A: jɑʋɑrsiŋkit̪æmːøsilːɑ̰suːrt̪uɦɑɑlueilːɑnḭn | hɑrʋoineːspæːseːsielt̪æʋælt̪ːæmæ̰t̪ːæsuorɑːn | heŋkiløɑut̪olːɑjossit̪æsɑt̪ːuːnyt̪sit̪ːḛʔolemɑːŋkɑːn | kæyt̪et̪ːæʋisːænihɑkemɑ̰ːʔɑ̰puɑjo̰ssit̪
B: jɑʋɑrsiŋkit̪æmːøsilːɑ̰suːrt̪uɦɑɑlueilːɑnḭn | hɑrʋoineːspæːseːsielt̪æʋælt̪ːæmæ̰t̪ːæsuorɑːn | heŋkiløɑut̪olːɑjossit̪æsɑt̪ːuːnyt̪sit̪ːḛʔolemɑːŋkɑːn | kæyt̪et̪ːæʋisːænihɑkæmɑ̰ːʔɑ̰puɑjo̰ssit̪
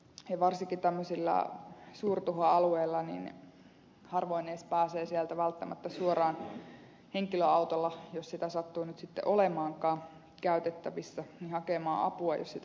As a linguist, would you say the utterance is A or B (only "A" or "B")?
A